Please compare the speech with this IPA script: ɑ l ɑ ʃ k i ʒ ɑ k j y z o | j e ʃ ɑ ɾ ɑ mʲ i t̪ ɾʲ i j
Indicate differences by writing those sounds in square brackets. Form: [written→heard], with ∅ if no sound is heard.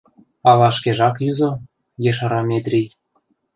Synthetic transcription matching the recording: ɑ l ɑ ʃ k [i→e] ʒ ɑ k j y z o | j e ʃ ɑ ɾ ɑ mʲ [i→e] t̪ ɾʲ i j